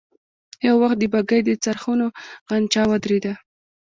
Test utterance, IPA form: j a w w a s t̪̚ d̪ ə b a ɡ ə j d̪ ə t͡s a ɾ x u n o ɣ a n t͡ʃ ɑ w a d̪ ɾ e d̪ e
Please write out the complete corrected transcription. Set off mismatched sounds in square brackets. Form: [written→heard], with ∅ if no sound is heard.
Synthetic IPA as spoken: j a w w a [s→x] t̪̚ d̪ ə b a ɡ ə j d̪ ə t͡s a ɾ x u n o ɣ a n t͡ʃ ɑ w a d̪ ɾ e d̪ [e→a]